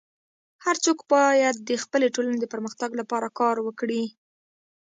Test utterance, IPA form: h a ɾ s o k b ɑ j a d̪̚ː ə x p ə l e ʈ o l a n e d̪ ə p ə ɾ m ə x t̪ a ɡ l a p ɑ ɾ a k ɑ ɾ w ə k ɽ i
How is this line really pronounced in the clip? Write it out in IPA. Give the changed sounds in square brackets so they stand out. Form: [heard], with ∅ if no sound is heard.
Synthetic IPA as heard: h a ɾ [t͡s] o k b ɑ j a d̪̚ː ə x p ə l e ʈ o l a n e d̪ ə p ə ɾ m ə x t̪ a ɡ l a p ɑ ɾ a k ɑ ɾ w ə k ɽ i